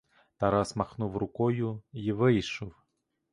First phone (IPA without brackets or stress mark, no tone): t̪